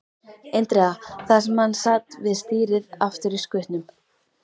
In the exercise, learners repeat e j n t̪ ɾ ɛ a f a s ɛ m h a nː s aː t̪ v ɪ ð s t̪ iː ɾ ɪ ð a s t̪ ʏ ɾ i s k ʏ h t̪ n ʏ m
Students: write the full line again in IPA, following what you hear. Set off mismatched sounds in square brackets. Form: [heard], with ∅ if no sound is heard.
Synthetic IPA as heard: e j n t̪ ɾ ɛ a [θ] a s ɛ m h a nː s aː t̪ v ɪ ð s t̪ iː ɾ ɪ ð a [f] t̪ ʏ ɾ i s k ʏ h t̪ n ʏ m